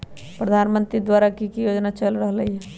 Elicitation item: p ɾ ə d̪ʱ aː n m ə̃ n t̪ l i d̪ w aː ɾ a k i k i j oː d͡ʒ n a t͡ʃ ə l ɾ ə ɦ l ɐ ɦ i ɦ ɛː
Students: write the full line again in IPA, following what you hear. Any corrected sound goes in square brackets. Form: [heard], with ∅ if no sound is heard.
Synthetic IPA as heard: p ɾ ə d̪ʱ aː n m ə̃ n t̪ [ɾ] i d̪ w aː ɾ a k i k i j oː d͡ʒ n a t͡ʃ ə l ɾ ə ɦ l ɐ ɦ i ɦ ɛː

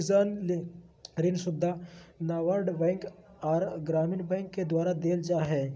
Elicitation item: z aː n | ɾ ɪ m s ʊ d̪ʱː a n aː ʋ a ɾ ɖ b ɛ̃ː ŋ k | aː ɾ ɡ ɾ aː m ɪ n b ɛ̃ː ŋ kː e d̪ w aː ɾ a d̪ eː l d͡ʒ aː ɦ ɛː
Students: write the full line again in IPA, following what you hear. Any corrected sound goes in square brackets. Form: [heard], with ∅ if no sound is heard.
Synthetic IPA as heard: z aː n | ɾ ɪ [n] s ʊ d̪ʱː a n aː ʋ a ɾ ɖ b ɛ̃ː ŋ k | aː ɾ ɡ ɾ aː m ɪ n b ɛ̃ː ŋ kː e d̪ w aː ɾ a d̪ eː l d͡ʒ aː ɦ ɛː

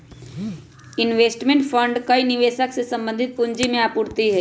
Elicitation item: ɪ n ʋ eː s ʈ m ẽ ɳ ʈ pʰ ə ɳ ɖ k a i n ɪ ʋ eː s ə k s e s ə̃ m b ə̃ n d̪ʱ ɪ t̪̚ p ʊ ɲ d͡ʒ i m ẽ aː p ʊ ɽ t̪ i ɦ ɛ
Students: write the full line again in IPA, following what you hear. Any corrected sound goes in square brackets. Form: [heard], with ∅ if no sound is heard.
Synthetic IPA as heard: ɪ n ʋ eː s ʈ m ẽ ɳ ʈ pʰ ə ɳ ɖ k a i n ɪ ʋ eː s ə k s e s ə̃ m b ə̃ n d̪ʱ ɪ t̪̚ p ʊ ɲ d͡ʒ i m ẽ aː p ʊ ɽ t̪ i ɦ ɛ

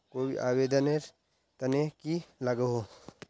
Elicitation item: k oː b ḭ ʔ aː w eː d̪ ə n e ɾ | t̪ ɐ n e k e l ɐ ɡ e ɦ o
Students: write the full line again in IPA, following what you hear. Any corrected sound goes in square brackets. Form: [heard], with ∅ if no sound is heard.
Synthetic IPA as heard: k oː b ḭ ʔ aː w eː d̪ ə n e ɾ | t̪ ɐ n e k [i] l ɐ ɡ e ɦ o

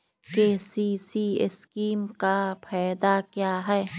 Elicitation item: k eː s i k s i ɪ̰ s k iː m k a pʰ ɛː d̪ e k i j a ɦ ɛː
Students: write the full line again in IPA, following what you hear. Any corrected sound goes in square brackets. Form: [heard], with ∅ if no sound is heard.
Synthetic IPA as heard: k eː s i [∅] s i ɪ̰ s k iː m k a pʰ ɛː d̪ [a] k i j a ɦ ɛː

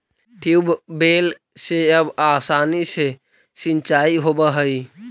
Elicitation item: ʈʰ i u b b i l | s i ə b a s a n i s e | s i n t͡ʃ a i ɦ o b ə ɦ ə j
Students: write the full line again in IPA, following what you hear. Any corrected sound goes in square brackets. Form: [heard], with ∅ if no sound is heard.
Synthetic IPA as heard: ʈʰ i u b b [e] l | s [e] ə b a s a n i s e | s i n t͡ʃ a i ɦ o b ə ɦ ə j

